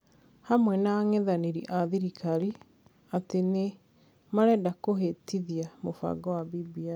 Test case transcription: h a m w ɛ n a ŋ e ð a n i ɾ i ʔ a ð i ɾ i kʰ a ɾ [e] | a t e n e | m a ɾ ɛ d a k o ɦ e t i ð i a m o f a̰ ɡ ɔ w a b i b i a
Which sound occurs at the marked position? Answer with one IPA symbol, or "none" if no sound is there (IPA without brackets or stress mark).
i